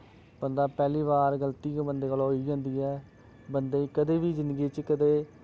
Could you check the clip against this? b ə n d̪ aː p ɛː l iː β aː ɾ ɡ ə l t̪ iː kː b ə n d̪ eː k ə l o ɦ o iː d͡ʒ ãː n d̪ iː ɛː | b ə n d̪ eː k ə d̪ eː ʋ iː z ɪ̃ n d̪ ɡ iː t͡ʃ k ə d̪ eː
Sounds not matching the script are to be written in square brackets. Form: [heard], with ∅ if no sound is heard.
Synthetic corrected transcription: b ə n d̪ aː p ɛː l iː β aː ɾ ɡ ə l t̪ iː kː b ə n d̪ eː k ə l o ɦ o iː d͡ʒ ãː n d̪ iː ɛː | b ə n d̪ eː k ə d̪ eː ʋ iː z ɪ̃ n d̪ ɡ iː t͡ʃ k ə d̪ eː